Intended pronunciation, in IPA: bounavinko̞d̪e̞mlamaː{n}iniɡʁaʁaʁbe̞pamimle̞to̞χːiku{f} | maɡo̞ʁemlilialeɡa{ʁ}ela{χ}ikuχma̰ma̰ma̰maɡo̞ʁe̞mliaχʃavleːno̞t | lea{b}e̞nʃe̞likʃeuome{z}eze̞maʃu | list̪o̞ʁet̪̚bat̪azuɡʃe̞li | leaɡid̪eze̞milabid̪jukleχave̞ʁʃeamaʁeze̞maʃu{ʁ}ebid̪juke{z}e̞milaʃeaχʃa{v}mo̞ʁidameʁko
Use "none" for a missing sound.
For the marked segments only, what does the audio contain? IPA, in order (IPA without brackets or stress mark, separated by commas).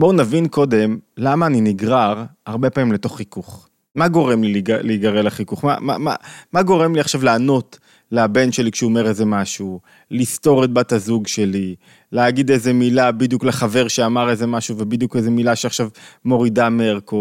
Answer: n, χ, ʁ, χ, b, ʁ, v, z, v